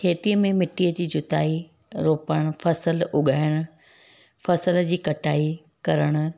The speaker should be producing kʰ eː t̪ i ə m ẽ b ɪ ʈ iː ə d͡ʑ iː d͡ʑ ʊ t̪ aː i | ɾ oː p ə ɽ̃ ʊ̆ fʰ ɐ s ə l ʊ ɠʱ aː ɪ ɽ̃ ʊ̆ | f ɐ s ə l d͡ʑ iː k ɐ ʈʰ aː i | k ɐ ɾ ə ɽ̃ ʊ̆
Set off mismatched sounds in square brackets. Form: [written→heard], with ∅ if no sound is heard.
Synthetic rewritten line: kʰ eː t̪ i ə m ẽ [b→m] ɪ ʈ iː ə d͡ʑ iː d͡ʑ ʊ t̪ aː i | ɾ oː p ə ɽ̃ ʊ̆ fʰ ɐ s ə l ʊ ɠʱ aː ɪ ɽ̃ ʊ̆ | f ɐ s ə l d͡ʑ iː k ɐ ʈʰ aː i | k ɐ ɾ ə ɽ̃ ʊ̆